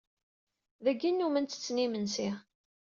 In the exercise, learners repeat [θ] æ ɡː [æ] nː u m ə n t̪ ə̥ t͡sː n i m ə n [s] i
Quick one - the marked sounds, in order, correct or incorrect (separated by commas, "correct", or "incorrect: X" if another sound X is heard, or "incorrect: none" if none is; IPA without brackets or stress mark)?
incorrect: ð, incorrect: i, correct